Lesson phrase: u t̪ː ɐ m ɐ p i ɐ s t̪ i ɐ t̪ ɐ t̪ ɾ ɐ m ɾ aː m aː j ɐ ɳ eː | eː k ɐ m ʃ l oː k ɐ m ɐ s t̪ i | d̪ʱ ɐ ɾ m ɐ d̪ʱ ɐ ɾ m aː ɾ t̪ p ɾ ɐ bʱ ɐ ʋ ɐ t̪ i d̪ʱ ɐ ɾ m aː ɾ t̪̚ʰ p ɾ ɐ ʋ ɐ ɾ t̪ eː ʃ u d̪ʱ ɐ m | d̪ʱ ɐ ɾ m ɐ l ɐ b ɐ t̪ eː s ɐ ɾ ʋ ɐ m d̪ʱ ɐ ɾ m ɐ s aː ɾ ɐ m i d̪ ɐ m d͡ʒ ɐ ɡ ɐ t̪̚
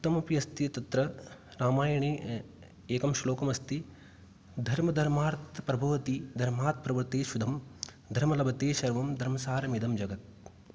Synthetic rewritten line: u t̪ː ɐ m ɐ p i ɐ s t̪ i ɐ t̪ ɐ t̪ ɾ ɐ ɾ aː m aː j ɐ ɳ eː | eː k ɐ m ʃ l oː k ɐ m ɐ s t̪ i | d̪ʱ ɐ ɾ m ɐ d̪ʱ ɐ ɾ m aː ɾ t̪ p ɾ ɐ bʱ ɐ ʋ ɐ t̪ i d̪ʱ ɐ ɾ m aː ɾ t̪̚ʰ p ɾ ɐ ʋ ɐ ɾ t̪ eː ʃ u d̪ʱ ɐ m | d̪ʱ ɐ ɾ m ɐ l ɐ b ɐ t̪ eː ʃ ɐ ɾ ʋ ɐ m d̪ʱ ɐ ɾ m ɐ s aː ɾ ɐ m i d̪ ɐ m d͡ʒ ɐ ɡ ɐ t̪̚